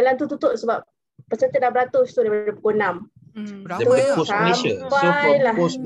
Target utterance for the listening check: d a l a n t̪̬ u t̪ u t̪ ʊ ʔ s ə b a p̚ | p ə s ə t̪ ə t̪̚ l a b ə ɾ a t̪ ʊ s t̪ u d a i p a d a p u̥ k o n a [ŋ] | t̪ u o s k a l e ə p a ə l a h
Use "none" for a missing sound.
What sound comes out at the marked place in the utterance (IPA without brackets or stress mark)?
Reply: m